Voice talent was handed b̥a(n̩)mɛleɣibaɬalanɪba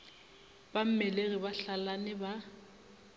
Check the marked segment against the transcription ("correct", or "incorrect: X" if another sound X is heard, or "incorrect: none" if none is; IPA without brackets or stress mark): incorrect: m̩